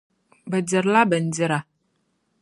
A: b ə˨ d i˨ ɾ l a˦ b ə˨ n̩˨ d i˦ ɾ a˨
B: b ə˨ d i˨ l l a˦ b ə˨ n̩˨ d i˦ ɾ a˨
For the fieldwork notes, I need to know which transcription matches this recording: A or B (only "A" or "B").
A